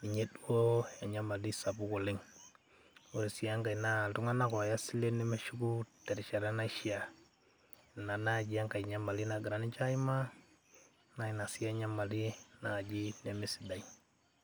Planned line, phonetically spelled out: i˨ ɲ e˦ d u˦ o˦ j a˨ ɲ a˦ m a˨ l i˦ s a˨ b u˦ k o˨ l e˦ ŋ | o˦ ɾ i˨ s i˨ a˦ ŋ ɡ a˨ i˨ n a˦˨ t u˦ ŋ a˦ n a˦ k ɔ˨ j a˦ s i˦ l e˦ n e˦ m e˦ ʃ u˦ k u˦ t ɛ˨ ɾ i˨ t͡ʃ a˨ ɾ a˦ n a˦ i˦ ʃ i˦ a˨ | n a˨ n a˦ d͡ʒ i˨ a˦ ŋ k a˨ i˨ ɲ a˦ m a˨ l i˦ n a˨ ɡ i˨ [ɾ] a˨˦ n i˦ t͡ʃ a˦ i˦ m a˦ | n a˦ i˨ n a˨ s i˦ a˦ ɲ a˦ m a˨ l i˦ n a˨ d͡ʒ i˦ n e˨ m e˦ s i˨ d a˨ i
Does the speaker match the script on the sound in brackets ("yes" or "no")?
yes